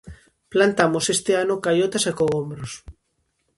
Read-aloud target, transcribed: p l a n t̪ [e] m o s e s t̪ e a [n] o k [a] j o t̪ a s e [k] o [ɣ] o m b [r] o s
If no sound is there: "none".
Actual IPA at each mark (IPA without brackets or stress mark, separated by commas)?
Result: a, n, a, k, ɣ, ɾ